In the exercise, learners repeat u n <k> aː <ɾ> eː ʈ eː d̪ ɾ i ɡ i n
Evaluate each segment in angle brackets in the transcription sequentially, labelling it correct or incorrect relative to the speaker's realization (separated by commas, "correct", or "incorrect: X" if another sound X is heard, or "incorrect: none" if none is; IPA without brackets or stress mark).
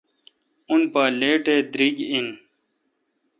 incorrect: p, incorrect: l